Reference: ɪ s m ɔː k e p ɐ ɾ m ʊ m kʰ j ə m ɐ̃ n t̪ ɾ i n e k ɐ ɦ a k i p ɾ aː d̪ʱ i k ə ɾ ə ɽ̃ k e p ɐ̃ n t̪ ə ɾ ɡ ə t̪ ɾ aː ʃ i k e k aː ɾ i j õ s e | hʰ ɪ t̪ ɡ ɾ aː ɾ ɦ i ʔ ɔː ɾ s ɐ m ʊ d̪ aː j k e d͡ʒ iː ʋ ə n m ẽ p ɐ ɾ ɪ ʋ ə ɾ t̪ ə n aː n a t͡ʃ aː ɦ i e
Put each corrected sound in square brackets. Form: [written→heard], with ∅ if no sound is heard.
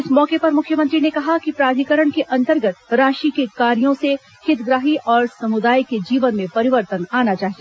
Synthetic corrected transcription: ɪ s m ɔː k e p ɐ ɾ m ʊ [m→∅] kʰ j ə m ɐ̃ n t̪ ɾ i n e k ɐ ɦ a k i p ɾ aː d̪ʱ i k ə ɾ ə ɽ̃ k e [p→ʔ] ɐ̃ n t̪ ə ɾ ɡ ə t̪ ɾ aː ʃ i k e k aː ɾ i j õ s e | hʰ ɪ t̪ ɡ ɾ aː [ɾ→∅] ɦ i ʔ ɔː ɾ s ɐ m ʊ d̪ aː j k e d͡ʒ iː ʋ ə n m ẽ p ɐ ɾ ɪ ʋ ə ɾ t̪ ə n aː n a t͡ʃ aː ɦ i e